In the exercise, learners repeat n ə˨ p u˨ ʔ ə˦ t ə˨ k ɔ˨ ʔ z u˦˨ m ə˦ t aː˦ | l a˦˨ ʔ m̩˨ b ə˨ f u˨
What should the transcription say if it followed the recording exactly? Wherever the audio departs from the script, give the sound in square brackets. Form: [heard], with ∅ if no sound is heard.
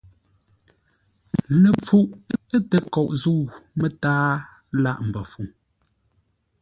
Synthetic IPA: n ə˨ [p͡f] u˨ ʔ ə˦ t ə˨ k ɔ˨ ʔ z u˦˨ m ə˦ t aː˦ | l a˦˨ ʔ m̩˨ b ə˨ f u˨